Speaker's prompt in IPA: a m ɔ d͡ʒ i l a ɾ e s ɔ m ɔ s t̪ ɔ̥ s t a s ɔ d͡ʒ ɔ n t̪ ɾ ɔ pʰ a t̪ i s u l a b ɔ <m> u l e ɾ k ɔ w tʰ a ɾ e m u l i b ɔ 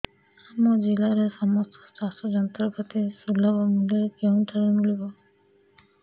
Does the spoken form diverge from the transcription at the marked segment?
no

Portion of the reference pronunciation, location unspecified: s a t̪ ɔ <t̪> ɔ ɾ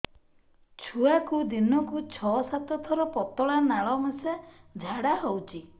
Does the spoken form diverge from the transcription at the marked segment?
yes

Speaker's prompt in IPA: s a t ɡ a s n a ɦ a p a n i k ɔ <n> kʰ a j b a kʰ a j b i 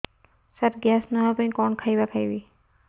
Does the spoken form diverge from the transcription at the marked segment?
no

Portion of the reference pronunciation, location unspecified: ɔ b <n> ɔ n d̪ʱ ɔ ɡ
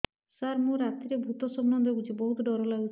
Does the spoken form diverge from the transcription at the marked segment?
no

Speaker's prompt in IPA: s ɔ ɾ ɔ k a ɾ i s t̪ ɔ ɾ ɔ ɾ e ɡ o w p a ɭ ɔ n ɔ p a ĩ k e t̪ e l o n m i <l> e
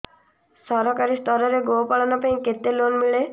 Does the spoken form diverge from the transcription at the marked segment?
yes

